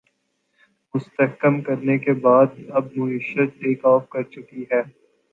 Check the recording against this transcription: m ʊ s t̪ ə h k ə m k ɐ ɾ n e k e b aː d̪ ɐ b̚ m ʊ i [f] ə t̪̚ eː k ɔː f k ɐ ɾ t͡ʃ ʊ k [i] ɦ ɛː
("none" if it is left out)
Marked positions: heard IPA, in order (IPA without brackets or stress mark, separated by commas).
ʃ, i